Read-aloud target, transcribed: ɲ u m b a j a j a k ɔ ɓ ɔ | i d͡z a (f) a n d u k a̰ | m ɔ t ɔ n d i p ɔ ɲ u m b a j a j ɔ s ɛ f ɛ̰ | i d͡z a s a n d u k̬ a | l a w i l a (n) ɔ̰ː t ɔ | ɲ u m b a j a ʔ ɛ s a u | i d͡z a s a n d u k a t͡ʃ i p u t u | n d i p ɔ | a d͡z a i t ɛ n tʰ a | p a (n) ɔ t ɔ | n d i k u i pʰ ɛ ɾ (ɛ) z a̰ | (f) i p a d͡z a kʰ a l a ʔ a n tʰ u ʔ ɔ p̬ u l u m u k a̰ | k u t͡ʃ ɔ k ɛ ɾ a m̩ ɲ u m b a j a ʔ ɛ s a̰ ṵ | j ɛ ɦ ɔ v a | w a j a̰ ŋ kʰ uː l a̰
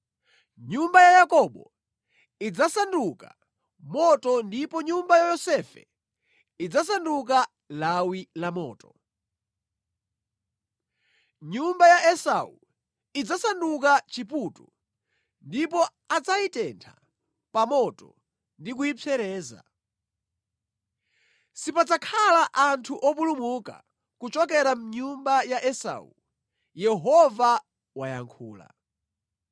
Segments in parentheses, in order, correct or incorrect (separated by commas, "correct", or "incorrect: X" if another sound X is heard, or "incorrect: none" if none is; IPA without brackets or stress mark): incorrect: s, incorrect: m, incorrect: m, incorrect: ɛː, incorrect: s